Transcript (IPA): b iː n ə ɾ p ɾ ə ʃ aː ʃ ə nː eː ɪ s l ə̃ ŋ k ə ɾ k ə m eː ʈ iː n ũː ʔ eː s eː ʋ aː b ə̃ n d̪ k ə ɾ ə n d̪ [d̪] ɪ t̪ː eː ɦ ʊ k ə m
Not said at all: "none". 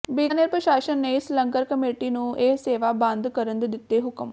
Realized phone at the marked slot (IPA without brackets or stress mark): d̪